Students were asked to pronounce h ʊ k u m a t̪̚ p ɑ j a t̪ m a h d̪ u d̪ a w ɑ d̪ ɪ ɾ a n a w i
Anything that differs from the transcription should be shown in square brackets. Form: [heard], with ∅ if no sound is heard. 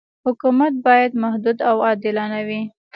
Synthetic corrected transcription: h ʊ k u m a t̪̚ [b] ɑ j a [d̪] m a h d̪ u d̪ a w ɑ d̪ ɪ [l] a n a w i